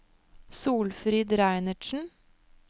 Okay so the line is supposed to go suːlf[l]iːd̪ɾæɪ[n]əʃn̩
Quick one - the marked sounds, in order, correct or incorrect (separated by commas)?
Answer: incorrect, correct